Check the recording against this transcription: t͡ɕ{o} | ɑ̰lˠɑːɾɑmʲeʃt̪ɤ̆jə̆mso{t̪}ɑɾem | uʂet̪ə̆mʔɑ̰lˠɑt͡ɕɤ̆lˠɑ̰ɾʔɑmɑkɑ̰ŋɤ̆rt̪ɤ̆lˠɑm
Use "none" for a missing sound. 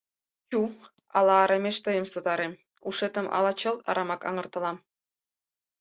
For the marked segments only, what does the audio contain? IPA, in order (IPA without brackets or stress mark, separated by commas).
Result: u, d̪